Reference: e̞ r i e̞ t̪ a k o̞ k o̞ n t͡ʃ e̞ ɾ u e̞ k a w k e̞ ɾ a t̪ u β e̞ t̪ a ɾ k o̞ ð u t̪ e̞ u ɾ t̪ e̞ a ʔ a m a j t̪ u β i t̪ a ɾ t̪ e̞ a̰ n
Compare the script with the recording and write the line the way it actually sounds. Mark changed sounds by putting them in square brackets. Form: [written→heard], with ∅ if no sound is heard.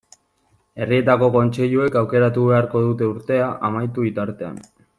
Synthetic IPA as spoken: e̞ r i e̞ t̪ a k o̞ k o̞ n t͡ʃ e̞ [ɾ→ʎ] u e̞ k a w k e̞ ɾ a t̪ u β e̞ [t̪→∅] a ɾ k o̞ ð u t̪ e̞ u ɾ t̪ e̞ a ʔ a m a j t̪ u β i t̪ a ɾ t̪ e̞ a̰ n